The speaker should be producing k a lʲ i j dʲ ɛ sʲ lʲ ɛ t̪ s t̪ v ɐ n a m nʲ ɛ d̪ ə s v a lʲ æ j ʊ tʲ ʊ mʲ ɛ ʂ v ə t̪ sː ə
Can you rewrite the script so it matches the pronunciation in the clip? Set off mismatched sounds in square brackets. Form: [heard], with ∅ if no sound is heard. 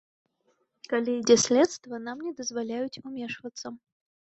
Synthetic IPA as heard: k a lʲ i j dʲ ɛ sʲ lʲ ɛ t̪ s t̪ v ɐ n a m nʲ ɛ d̪ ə [z] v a lʲ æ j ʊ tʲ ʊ mʲ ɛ ʂ v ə t̪ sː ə